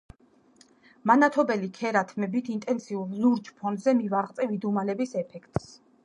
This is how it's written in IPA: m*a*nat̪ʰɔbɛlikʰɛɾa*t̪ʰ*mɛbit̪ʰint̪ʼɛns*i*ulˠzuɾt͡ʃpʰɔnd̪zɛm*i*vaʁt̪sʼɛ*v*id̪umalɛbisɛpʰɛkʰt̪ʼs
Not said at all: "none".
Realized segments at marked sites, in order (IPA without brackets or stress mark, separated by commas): a, t̪ʰ, i, i, v